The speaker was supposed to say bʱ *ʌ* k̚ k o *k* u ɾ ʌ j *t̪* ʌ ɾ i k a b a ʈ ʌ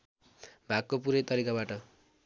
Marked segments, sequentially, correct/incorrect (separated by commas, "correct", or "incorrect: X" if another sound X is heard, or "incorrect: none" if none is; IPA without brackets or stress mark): incorrect: a, incorrect: p, correct